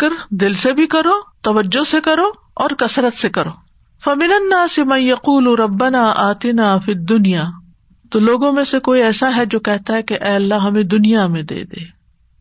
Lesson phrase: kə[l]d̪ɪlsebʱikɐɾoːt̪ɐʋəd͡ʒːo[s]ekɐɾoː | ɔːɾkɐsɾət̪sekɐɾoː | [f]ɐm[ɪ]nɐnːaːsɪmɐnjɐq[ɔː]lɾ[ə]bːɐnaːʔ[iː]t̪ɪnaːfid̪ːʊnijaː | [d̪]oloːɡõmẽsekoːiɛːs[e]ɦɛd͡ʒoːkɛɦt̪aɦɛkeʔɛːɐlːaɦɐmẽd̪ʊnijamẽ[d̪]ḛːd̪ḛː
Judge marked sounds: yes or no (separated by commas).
no, yes, yes, yes, no, no, no, no, no, yes